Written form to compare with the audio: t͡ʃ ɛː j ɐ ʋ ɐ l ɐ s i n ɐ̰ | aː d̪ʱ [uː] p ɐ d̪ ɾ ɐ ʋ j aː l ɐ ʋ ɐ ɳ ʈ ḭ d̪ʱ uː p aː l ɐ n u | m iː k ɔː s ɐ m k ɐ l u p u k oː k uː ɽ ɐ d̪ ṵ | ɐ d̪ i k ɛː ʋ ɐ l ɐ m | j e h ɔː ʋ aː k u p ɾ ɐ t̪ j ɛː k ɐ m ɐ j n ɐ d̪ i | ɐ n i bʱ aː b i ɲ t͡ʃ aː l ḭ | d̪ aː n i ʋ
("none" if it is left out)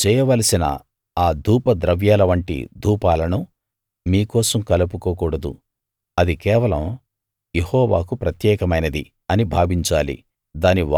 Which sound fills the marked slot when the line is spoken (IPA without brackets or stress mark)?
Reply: uː